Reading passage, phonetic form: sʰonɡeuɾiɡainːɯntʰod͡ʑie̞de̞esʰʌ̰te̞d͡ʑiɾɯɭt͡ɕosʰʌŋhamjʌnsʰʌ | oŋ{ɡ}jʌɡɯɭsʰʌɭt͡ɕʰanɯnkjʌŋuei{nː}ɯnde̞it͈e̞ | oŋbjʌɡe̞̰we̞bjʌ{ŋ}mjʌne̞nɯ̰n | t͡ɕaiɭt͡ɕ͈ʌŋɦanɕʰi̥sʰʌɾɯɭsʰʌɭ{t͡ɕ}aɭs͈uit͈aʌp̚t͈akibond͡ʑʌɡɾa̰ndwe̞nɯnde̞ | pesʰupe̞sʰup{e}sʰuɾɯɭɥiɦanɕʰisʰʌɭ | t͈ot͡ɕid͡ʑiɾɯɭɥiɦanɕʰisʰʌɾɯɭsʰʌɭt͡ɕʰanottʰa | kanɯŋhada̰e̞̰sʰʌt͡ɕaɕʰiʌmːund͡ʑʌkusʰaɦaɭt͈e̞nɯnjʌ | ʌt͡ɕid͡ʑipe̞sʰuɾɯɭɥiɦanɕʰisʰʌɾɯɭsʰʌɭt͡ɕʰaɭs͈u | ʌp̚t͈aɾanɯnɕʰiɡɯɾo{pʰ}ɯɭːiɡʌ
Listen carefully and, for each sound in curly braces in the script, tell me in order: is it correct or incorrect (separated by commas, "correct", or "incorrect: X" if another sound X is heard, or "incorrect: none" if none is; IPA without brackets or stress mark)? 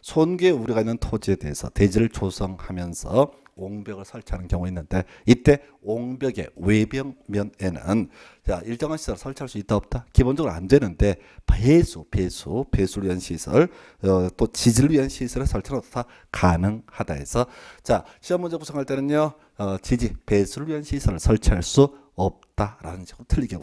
incorrect: b, correct, correct, incorrect: t͡ɕʰ, correct, incorrect: tʰ